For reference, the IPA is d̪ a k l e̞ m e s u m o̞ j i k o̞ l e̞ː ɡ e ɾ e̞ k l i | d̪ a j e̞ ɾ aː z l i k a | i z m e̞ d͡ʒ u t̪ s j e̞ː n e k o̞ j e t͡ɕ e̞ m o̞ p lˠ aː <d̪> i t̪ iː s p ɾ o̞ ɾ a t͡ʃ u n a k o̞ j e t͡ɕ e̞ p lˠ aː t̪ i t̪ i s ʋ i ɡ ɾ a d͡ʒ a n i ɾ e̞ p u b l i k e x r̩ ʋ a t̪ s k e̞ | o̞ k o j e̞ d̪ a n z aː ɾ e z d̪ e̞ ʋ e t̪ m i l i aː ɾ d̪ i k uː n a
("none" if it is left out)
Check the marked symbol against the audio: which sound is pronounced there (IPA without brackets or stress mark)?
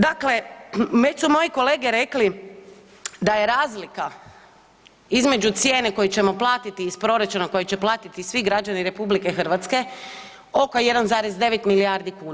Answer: t̪